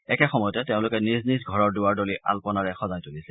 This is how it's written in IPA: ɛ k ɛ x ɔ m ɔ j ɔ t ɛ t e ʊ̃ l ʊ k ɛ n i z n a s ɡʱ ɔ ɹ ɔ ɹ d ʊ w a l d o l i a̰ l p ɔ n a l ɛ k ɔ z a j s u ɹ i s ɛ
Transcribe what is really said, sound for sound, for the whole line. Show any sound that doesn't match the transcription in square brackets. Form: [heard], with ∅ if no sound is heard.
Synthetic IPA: ɛ k ɛ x ɔ m ɔ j ɔ t ɛ t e ʊ̃ l ʊ k ɛ n i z n [i] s ɡʱ ɔ ɹ ɔ ɹ d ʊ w a [ɹ] d o l i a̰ l p ɔ n a [ɹ] ɛ [x] ɔ z a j [t] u [l] i s ɛ